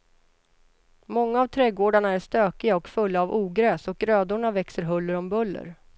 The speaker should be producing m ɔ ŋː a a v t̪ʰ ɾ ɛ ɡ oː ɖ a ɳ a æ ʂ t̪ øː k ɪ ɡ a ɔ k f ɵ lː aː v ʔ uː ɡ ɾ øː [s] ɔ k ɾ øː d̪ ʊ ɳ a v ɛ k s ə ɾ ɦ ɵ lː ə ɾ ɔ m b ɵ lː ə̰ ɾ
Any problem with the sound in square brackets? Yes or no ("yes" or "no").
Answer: no